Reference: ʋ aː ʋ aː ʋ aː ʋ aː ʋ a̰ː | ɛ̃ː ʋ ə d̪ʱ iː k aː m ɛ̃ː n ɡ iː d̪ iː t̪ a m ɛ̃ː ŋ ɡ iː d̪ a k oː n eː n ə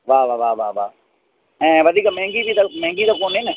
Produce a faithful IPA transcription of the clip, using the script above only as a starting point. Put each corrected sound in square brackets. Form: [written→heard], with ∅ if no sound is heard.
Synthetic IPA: ʋ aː ʋ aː ʋ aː ʋ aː ʋ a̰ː | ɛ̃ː ʋ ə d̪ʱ iː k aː m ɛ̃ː [n→ŋ] ɡ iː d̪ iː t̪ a m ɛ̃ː ŋ ɡ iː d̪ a k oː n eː n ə